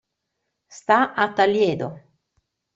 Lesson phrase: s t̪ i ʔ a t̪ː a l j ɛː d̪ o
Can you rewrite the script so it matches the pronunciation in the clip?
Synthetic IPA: s t̪ a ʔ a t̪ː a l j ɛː d̪ o